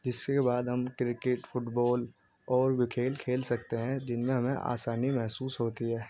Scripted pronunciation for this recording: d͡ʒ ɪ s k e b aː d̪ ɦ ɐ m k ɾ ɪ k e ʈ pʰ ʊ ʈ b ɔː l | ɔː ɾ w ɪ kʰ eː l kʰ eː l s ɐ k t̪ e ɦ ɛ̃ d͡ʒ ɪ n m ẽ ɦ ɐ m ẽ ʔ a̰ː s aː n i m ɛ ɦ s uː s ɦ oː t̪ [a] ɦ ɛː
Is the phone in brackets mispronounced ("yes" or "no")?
yes